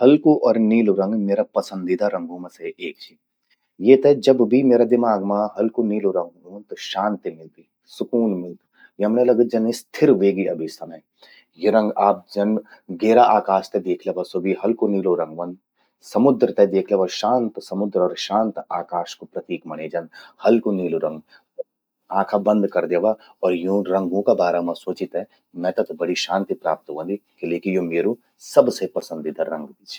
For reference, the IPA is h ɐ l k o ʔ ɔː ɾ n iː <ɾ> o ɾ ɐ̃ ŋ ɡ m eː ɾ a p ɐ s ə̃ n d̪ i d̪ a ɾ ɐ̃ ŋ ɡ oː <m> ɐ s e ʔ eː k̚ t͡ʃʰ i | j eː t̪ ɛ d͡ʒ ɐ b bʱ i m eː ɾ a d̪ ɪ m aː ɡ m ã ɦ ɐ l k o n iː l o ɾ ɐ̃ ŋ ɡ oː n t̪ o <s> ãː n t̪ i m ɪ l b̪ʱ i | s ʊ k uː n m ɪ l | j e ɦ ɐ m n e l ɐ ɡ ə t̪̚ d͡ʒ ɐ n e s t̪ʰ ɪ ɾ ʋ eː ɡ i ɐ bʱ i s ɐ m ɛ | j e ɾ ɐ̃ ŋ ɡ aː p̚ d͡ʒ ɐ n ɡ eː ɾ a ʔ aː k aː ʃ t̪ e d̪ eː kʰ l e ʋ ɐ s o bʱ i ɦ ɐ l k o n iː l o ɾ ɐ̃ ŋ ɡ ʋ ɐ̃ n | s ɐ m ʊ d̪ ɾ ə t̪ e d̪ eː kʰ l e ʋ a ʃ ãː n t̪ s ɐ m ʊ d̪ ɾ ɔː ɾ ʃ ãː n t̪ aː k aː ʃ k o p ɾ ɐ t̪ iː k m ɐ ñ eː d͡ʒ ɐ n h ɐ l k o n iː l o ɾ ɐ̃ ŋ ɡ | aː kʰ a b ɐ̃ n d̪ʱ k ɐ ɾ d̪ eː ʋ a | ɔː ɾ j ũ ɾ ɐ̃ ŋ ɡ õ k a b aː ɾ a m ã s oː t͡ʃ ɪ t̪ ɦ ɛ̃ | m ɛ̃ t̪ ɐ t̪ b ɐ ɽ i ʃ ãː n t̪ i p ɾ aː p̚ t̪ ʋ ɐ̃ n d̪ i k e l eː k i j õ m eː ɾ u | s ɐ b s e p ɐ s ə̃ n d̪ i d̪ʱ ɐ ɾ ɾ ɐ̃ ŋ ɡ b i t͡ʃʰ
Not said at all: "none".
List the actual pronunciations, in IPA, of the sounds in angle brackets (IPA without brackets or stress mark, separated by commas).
l, m, ʃ